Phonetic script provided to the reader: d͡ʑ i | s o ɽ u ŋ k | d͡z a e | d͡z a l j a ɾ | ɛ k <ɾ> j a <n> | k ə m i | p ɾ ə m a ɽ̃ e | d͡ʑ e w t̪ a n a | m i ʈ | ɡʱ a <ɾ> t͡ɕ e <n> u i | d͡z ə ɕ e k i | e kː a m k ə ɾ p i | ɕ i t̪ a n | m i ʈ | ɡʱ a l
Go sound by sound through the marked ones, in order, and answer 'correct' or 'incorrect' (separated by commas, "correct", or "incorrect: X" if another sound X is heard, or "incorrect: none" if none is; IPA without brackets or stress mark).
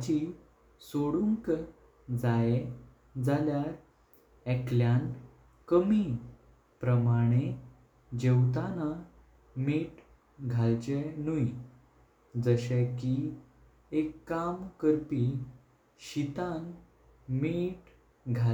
incorrect: l, correct, incorrect: l, correct